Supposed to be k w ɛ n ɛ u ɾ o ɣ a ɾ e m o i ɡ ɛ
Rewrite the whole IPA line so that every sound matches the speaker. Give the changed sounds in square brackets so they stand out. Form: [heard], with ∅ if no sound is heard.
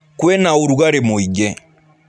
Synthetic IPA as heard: k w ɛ n [a] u ɾ [u] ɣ a ɾ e m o i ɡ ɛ